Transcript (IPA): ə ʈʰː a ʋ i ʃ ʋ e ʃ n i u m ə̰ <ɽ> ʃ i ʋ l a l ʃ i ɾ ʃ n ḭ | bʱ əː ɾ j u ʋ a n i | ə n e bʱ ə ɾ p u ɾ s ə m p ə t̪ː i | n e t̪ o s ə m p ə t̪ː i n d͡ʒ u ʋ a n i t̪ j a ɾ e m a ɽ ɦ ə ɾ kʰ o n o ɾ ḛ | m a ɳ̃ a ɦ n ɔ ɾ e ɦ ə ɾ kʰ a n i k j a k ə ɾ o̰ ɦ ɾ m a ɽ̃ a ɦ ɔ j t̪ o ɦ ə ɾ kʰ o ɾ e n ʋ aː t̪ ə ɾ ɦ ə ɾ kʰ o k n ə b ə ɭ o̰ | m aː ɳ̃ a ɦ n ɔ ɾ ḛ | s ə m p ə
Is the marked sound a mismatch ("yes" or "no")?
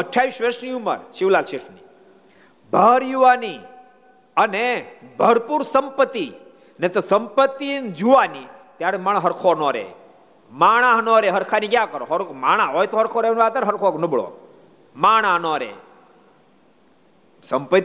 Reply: yes